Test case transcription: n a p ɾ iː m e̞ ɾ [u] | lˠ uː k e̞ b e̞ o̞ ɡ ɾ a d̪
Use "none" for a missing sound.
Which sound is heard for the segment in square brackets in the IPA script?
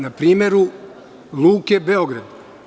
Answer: u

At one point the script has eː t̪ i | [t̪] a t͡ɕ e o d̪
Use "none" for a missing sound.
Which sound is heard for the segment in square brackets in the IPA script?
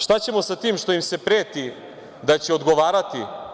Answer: d̪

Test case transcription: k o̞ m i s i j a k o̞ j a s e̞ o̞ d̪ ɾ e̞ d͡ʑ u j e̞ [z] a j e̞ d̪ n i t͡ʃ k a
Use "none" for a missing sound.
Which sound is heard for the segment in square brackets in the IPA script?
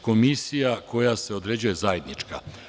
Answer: z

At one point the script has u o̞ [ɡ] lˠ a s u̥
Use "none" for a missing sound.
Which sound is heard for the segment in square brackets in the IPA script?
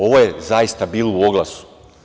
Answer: ɡ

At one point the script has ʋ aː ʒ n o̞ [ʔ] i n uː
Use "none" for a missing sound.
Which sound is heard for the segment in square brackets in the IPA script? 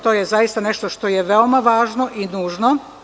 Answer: ʔ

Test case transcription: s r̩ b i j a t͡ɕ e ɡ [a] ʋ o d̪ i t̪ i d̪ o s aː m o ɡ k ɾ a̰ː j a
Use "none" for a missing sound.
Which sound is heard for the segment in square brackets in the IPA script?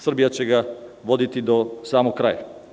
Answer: a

